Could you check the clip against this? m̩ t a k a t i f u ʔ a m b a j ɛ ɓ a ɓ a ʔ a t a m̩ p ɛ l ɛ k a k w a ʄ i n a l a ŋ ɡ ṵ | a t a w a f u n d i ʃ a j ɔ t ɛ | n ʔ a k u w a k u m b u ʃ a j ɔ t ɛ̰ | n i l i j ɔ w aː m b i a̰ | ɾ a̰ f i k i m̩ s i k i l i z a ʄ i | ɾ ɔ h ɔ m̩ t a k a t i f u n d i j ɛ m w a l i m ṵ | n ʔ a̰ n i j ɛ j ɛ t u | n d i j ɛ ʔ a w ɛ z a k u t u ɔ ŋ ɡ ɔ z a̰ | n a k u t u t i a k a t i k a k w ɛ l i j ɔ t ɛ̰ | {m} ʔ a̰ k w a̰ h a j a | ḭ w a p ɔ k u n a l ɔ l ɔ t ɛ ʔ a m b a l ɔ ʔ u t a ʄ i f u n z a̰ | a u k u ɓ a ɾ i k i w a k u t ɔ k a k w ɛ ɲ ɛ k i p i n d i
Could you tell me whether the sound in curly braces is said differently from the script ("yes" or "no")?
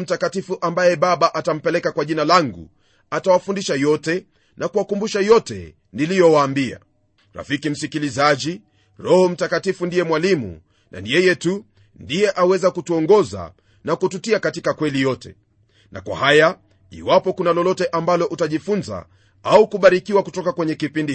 yes